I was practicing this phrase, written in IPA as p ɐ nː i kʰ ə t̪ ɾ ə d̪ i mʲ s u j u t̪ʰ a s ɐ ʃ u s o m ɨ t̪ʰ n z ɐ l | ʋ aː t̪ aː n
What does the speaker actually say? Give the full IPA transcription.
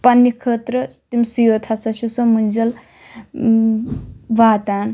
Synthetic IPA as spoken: p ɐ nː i kʰ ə t̪ ɾ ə t̪ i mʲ s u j o t̪ʰ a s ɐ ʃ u s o m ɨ n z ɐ l | ʋ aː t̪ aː n